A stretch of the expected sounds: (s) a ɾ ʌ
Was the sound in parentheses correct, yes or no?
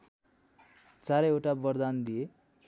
no